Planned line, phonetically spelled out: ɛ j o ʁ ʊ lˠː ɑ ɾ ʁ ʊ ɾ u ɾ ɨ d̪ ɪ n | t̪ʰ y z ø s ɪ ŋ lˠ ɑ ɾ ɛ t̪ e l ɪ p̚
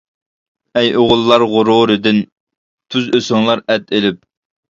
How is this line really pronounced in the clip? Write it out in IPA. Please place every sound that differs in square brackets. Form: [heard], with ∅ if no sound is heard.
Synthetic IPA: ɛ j o ʁ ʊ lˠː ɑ ɾ ʁ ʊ ɾ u ɾ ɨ d̪ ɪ n | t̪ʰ y z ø s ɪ ŋ lˠ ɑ ɾ ɛ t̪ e l ɪ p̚